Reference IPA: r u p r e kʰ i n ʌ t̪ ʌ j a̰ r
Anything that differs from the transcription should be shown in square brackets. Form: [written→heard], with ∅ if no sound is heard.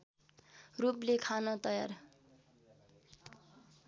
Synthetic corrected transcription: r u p [r→l] e kʰ [i→a] n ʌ t̪ ʌ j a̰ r